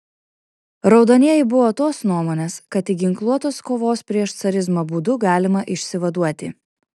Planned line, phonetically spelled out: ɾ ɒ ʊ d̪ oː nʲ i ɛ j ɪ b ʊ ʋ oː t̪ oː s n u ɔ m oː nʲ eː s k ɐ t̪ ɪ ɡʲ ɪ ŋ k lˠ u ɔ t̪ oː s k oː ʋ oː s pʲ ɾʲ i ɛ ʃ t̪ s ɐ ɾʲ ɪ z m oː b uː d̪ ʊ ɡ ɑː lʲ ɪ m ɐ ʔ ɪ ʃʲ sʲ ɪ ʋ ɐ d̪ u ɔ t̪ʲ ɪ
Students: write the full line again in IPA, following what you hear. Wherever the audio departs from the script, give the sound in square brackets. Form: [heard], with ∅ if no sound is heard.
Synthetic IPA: ɾ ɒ ʊ d̪ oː nʲ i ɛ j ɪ b ʊ ʋ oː t̪ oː s n u ɔ m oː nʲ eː s k ɐ t̪ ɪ ɡʲ ɪ ŋ k lˠ u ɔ t̪ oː s k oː ʋ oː s pʲ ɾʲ i ɛ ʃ t̪ s ɐ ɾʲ ɪ z m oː b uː d̪ ʊ ɡ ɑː lʲ ɪ m ɐ ʔ ɪ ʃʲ sʲ ɪ ʋ ɐ d̪ u ɔ t̪ʲ ɪ